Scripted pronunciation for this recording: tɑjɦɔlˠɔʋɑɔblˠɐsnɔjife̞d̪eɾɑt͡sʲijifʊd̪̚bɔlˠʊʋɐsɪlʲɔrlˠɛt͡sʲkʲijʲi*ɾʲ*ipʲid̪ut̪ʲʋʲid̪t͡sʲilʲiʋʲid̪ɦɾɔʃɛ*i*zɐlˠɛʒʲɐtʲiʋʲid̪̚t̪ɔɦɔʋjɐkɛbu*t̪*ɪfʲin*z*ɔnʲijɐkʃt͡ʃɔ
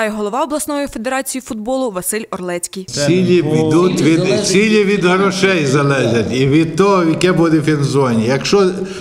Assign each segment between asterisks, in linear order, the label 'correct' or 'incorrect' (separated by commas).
incorrect, incorrect, incorrect, correct